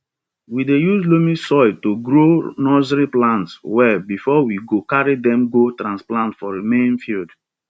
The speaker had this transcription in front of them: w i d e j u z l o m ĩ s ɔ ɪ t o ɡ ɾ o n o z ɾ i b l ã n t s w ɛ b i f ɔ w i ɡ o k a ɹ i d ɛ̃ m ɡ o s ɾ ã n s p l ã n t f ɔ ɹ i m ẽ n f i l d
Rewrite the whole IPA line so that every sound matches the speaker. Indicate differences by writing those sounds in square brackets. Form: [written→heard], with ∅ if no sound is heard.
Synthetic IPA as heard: w i d e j u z l o m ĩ s ɔ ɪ t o ɡ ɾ o n [o→ɔ] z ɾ i [b→p] l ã n t s w ɛ b i f ɔ w i ɡ o k a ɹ i d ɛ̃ m ɡ o [s→t] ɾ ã n s p l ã n t f ɔ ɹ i m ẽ n f i l d